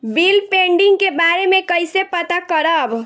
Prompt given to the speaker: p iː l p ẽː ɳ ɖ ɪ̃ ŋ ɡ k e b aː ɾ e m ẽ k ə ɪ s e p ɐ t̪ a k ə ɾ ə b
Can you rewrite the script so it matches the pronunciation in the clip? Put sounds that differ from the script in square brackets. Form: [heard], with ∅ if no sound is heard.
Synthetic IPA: [b] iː l p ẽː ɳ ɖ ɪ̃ ŋ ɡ k e b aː ɾ e m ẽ k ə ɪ s e p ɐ t̪ a k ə ɾ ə b